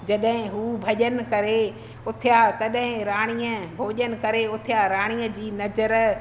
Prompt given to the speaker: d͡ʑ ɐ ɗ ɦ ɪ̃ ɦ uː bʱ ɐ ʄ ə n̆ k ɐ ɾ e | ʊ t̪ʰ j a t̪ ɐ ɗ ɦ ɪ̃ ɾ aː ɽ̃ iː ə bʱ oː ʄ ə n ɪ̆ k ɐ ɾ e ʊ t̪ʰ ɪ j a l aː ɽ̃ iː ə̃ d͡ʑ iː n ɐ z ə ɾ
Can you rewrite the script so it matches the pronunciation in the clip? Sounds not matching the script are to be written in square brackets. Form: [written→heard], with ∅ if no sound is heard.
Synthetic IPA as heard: d͡ʑ ɐ ɗ ɦ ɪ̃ ɦ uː bʱ ɐ ʄ ə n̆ k ɐ ɾ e | ʊ t̪ʰ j a t̪ ɐ ɗ ɦ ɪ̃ ɾ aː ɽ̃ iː ə bʱ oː ʄ ə n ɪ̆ k ɐ ɾ e ʊ t̪ʰ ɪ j a [l→ɾ] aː ɽ̃ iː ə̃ d͡ʑ iː n ɐ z ə ɾ